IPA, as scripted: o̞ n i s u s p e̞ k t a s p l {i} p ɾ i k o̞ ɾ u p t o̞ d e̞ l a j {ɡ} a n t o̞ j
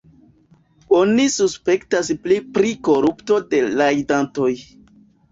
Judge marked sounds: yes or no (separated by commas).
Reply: yes, no